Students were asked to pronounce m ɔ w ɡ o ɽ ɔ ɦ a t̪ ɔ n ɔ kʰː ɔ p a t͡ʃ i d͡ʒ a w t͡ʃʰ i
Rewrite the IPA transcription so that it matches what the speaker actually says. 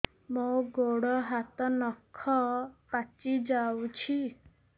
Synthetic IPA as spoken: m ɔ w ɡ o ɽ ɔ ɦ a t̪ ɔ n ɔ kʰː ɔ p a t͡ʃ i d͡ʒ a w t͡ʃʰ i

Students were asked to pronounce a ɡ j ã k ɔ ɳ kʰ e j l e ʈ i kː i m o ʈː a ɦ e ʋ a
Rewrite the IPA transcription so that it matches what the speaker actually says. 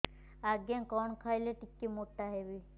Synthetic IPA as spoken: a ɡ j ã k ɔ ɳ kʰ a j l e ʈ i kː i m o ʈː a ɦ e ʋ i

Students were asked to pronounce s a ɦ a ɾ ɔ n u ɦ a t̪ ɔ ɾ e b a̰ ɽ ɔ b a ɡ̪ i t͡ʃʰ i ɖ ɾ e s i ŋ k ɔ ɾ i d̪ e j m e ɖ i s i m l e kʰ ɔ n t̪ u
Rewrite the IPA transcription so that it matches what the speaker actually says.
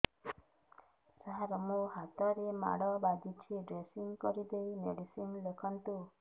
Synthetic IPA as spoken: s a ɦ a ɾ ɔ m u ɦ a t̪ ɔ ɾ e m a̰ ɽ ɔ b a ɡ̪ i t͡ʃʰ i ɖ ɾ e s i ŋ k ɔ ɾ i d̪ e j m e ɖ i s i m l e kʰ ɔ n t̪ u

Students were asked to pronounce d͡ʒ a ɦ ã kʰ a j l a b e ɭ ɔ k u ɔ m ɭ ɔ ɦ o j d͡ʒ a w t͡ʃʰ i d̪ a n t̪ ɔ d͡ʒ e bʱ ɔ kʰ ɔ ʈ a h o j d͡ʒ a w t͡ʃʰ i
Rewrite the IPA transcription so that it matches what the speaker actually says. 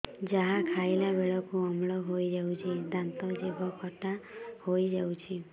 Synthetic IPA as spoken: d͡ʒ a ɦ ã kʰ a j l a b e ɭ ɔ k u ɔ m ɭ ɔ ɦ o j d͡ʒ a w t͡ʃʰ i d̪ a n t̪ ɔ d͡ʒ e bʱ ɔ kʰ ɔ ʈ a h o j d͡ʒ a w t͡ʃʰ i

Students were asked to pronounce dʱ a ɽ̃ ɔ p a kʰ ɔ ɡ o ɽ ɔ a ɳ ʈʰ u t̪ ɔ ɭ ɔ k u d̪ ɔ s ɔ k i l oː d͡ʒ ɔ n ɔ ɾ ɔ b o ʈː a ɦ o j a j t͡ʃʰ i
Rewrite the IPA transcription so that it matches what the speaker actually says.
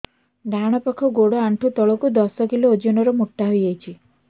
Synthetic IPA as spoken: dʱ a ɽ̃ ɔ p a kʰ ɔ ɡ o ɽ ɔ a ɳ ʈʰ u t̪ ɔ ɭ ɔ k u d̪ ɔ s ɔ k i l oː d͡ʒ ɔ n ɔ ɾ ɔ m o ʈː a ɦ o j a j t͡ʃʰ i

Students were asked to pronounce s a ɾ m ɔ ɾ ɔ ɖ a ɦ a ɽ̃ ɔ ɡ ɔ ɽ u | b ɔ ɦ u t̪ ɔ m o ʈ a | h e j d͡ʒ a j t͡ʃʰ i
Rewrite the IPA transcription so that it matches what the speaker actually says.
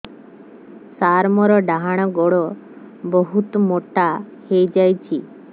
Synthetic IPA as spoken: s a ɾ m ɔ ɾ ɔ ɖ a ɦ a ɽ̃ ɔ ɡ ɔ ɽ ɔ | b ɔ ɦ u t̪ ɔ m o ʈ a | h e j d͡ʒ a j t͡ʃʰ i

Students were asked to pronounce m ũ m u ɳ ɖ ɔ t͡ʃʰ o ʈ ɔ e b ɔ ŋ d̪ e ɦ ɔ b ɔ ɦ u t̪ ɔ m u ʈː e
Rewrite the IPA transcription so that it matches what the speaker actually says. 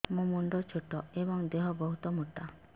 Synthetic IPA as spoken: m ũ m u ɳ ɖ ɔ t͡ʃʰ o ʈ ɔ e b ɔ ŋ d̪ e ɦ ɔ b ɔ ɦ u t̪ ɔ m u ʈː a

